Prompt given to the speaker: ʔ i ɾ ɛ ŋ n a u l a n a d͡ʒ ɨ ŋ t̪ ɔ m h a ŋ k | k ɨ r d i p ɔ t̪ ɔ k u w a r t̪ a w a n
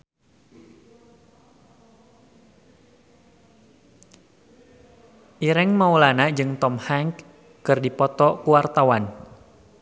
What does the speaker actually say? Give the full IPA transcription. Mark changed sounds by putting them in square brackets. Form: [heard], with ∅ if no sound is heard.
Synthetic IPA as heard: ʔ i ɾ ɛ ŋ [m] a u l a n a d͡ʒ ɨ ŋ t̪ ɔ m h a ŋ k | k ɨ r d i p ɔ t̪ ɔ k u w a r t̪ a w a n